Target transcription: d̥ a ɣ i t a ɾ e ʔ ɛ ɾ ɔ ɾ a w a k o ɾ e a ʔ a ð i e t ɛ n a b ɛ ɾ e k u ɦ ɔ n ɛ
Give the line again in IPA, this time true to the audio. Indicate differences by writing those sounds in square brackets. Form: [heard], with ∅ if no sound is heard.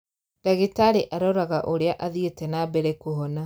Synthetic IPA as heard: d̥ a ɣ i t a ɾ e ʔ [a] ɾ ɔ ɾ a [ɣ] a [ʔ] o ɾ e a ʔ a ð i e t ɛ n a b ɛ ɾ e k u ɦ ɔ n [a]